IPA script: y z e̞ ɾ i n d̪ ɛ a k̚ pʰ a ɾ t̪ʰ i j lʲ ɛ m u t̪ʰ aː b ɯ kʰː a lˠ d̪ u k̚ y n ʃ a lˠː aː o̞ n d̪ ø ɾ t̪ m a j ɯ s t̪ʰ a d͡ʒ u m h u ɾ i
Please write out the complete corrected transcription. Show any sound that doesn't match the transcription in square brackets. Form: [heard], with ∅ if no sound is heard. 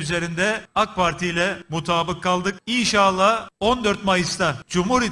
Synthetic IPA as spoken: y z e̞ ɾ i n d̪ ɛ a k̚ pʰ a ɾ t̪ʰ i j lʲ ɛ m u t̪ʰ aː b ɯ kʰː a lˠ d̪ [ɯ] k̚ [i] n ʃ a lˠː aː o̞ n d̪ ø ɾ t̪ m a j ɯ s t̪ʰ a d͡ʒ u m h u ɾ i